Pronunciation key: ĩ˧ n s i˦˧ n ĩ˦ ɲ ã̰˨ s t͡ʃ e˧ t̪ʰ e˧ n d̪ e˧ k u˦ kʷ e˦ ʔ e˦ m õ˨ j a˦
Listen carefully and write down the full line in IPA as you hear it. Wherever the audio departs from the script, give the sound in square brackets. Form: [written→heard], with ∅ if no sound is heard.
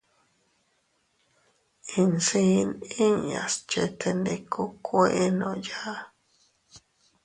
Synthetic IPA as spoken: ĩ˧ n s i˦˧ n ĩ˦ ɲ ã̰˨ s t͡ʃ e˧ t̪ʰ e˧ n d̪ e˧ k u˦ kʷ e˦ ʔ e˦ [m→n] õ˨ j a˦